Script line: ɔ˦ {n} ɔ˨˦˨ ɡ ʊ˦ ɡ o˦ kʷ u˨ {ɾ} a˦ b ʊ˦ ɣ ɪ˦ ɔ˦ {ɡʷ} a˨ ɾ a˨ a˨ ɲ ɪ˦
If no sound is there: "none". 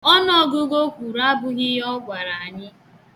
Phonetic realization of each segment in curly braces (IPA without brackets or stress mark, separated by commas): n, ɾ, ɡʷ